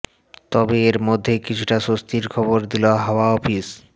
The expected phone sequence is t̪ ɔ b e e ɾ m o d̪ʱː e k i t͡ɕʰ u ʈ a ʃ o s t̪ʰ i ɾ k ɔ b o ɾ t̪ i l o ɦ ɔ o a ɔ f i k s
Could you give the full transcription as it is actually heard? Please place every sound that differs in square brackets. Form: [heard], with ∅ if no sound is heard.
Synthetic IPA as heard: t̪ ɔ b e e ɾ m o d̪ʱː e k i t͡ɕʰ u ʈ a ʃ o s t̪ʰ i ɾ [kʰ] ɔ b o ɾ [d̪] i l o ɦ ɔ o a ɔ f i [∅] s